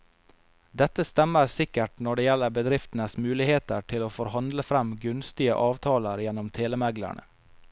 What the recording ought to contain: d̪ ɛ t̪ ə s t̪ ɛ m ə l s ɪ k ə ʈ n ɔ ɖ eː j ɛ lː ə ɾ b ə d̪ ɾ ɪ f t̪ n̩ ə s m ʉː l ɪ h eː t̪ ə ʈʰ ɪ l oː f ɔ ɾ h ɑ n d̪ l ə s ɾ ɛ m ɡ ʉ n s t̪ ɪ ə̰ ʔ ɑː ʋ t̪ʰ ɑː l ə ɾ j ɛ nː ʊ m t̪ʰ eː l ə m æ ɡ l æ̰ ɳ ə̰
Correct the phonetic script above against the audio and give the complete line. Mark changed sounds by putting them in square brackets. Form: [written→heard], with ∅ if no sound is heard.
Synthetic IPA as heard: d̪ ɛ t̪ ə s t̪ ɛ m ə [l→ɾ] s ɪ k ə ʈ n ɔ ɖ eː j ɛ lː ə ɾ b ə d̪ ɾ ɪ f t̪ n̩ ə s m ʉː l ɪ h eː t̪ ə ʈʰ ɪ l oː f ɔ ɾ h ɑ n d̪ l ə [s→f] ɾ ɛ m ɡ ʉ n s t̪ ɪ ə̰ ʔ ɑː ʋ t̪ʰ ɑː l ə ɾ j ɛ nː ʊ m t̪ʰ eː l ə m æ ɡ l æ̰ ɳ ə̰